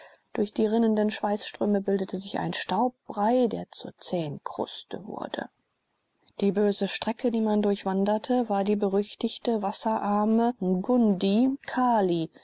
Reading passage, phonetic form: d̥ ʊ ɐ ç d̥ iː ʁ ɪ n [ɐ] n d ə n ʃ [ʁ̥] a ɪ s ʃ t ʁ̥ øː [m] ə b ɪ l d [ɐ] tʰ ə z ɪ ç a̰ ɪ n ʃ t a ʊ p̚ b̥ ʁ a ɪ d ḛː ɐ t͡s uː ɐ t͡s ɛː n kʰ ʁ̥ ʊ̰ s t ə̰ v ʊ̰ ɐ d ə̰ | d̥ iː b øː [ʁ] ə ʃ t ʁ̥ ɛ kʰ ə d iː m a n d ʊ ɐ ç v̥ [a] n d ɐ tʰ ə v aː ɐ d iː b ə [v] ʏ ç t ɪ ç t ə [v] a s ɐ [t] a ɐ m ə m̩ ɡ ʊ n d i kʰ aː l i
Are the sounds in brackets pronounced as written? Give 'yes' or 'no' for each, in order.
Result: no, no, yes, no, no, yes, no, yes, no

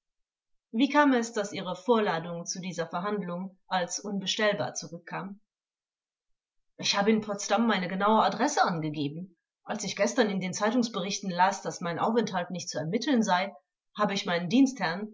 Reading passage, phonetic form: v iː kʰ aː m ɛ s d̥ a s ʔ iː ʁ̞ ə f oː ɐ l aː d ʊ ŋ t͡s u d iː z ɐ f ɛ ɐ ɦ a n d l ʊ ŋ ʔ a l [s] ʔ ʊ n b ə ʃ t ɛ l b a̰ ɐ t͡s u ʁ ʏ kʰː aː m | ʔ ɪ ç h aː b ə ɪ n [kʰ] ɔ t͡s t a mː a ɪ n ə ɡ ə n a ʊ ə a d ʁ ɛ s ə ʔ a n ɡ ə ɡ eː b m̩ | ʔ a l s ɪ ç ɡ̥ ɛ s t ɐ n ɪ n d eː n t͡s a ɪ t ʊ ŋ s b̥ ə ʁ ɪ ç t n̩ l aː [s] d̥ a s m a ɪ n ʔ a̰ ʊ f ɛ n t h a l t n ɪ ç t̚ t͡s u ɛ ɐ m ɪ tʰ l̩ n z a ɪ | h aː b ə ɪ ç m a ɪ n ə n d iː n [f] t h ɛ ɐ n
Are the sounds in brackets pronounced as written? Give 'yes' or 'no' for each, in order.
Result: yes, no, yes, no

